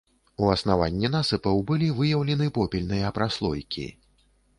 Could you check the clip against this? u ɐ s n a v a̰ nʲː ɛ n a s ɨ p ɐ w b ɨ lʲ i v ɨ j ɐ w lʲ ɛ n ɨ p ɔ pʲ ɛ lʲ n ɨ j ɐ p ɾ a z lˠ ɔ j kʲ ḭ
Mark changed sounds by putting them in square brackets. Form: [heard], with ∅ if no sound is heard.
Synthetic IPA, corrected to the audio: u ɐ s n a v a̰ nʲː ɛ n a s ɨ p ɐ w b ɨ lʲ i v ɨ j ɐ w lʲ ɛ n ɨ p ɔ pʲ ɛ lʲ n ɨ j ɐ p ɾ a [s] lˠ ɔ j kʲ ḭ